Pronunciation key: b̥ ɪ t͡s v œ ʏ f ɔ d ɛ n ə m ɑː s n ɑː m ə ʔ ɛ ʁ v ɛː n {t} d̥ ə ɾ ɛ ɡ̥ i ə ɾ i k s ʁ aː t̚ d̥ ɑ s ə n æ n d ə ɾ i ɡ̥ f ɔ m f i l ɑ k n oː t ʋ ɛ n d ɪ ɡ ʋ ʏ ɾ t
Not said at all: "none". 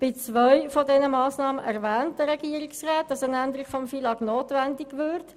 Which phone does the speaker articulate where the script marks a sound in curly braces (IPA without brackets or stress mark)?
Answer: t